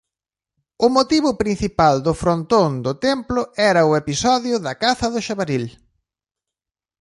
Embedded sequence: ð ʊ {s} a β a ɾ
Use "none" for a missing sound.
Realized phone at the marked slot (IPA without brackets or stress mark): ʃ